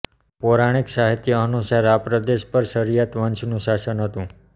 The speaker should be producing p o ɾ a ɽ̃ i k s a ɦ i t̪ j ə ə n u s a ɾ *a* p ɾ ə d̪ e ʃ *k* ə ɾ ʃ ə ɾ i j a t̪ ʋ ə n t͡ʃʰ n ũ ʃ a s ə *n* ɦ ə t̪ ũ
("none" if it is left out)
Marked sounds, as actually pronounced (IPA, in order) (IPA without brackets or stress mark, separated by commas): a, p, n